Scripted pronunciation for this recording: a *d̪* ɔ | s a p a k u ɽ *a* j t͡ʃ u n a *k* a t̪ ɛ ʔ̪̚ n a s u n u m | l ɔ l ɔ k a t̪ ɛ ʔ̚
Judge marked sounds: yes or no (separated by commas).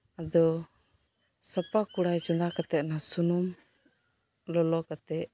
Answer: yes, yes, yes